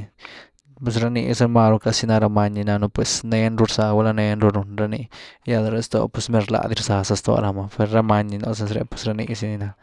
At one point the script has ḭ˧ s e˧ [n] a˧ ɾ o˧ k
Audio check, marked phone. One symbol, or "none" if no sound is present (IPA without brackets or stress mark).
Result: m